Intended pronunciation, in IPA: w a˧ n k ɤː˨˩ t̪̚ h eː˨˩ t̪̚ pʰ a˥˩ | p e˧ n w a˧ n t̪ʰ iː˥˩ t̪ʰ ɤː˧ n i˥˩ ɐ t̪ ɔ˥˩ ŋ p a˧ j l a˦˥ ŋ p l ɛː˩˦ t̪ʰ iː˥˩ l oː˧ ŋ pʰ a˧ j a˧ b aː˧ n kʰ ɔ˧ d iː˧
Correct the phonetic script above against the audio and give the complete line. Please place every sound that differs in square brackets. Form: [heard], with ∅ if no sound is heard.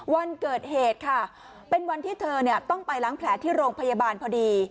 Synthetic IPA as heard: w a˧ n k ɤː˨˩ t̪̚ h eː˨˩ t̪̚ [kʰ] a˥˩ | p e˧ n w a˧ n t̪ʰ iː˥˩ t̪ʰ ɤː˧ n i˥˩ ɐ t̪ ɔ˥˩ ŋ p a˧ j l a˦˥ ŋ [pʰ] l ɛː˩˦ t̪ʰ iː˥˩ [ɾ] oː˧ ŋ pʰ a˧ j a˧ b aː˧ n [pʰ] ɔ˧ d iː˧